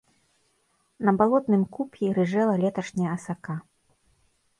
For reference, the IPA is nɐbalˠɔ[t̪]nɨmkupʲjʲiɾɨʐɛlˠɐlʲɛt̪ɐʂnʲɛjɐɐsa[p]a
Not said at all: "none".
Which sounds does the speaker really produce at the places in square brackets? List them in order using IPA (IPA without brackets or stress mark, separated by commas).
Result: t̪, k